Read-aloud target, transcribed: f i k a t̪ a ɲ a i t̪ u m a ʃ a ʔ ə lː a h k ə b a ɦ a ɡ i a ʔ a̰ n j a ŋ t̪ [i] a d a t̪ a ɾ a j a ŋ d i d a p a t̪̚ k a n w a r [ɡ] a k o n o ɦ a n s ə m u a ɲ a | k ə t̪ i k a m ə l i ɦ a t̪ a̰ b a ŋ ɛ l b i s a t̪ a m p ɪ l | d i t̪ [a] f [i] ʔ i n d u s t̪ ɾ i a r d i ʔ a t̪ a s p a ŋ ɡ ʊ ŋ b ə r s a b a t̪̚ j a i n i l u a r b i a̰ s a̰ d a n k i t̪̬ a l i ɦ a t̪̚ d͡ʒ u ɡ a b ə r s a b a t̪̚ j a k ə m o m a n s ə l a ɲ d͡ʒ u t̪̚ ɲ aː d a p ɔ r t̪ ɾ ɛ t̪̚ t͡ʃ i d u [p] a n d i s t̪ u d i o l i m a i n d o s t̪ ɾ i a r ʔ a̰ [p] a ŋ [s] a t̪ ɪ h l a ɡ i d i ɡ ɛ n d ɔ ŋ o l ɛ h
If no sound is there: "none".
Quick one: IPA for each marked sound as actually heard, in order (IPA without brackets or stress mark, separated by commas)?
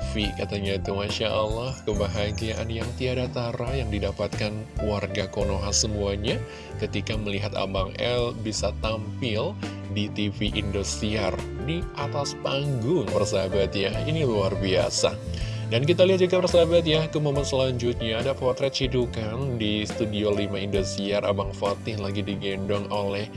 i, ɡ, i, i, k, b, f